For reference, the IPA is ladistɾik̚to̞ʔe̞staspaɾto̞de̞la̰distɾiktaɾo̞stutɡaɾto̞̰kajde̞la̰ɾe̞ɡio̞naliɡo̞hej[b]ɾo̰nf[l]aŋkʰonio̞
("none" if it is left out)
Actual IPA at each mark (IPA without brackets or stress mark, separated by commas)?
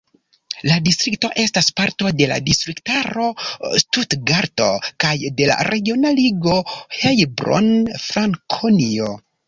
b, ɾ